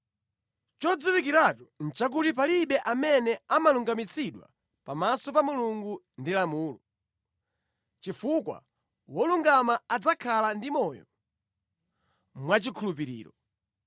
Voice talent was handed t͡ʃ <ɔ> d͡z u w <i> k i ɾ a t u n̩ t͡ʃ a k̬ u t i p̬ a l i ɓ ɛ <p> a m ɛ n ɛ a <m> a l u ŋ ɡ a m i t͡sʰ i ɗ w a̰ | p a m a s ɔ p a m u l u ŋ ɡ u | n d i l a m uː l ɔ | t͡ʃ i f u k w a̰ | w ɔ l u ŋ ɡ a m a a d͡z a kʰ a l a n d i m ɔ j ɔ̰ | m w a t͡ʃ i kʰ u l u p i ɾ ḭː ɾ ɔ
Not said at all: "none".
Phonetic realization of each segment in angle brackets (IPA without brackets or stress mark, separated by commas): ɔ, i, ʔ, m